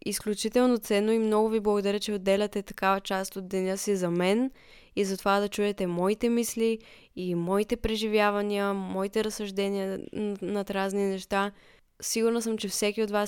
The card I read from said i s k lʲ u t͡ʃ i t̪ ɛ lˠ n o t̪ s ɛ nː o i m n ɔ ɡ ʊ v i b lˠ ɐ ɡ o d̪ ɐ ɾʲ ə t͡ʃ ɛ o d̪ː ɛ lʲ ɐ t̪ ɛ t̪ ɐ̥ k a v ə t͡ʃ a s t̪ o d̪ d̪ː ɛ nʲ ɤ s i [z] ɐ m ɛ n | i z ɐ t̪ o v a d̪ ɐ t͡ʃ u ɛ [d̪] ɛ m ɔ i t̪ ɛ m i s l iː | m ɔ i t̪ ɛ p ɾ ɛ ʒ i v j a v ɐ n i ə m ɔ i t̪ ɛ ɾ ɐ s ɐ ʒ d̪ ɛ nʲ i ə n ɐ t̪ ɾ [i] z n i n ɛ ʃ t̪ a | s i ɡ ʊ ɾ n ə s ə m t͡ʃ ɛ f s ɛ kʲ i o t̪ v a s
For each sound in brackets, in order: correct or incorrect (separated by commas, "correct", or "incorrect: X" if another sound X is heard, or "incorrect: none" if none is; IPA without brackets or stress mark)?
correct, incorrect: t̪, incorrect: a